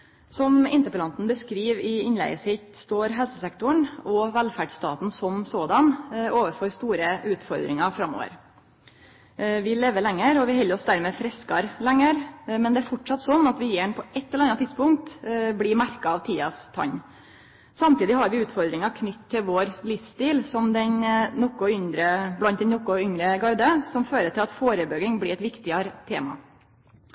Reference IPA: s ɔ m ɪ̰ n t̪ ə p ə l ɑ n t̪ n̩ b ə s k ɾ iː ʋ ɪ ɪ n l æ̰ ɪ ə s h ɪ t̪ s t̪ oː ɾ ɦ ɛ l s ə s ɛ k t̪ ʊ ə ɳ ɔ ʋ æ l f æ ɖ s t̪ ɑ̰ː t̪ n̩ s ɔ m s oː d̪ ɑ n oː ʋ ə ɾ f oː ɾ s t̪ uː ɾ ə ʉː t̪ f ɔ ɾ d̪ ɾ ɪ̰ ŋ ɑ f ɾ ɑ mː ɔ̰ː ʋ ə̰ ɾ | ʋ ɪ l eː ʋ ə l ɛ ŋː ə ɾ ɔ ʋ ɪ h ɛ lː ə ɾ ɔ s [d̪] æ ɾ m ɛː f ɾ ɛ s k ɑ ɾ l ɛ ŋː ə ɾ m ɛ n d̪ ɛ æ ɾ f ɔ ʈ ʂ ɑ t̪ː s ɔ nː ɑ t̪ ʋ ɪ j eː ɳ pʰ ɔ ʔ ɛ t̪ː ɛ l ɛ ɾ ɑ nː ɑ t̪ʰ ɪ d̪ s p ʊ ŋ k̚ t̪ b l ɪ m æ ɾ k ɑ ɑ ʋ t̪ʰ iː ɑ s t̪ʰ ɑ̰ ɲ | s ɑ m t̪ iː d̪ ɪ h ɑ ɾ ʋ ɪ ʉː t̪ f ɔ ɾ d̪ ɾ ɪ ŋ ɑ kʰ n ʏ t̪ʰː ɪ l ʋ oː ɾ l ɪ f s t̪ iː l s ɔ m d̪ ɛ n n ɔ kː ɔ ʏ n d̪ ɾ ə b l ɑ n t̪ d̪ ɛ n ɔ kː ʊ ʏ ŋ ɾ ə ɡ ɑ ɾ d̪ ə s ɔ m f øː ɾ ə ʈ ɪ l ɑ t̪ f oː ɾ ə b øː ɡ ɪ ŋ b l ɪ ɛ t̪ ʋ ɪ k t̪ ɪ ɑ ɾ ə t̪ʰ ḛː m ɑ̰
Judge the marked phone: correct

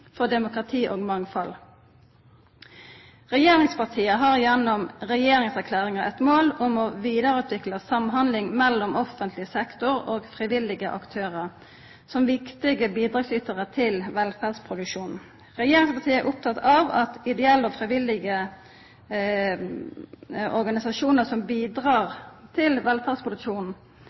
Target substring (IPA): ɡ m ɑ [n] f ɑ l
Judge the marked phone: incorrect: ŋ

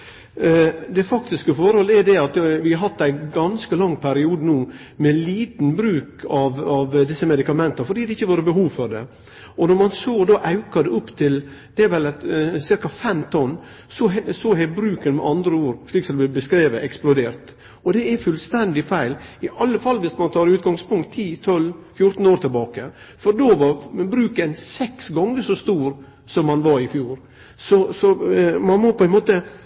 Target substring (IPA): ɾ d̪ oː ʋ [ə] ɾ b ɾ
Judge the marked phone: incorrect: ɑ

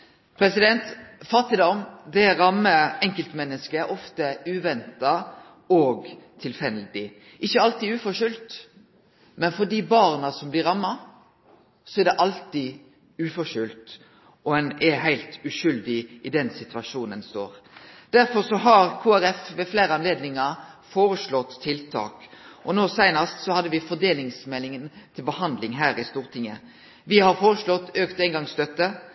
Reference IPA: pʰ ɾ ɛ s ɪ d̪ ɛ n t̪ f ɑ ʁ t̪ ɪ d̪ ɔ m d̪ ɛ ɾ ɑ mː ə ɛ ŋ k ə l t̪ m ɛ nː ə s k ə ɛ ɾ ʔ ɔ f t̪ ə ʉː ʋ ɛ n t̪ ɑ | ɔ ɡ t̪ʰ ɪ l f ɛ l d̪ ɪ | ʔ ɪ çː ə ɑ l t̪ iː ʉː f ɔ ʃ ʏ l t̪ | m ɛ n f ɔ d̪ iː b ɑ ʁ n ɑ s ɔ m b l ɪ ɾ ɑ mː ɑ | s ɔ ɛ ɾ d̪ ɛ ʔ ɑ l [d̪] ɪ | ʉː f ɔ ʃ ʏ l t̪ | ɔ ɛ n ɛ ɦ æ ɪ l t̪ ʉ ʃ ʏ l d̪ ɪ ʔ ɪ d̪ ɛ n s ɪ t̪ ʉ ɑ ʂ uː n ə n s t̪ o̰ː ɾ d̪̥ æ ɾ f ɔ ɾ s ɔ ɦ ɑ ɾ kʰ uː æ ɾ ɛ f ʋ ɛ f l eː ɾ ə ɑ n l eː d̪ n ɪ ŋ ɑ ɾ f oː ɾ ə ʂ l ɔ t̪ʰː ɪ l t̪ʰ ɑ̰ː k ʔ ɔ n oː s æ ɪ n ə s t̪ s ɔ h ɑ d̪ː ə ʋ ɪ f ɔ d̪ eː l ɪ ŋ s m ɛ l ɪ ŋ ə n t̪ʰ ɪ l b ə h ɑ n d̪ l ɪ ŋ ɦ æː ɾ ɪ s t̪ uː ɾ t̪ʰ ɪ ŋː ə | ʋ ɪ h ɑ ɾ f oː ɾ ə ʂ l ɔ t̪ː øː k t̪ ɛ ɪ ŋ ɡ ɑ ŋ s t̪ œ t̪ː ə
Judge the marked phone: incorrect: t̪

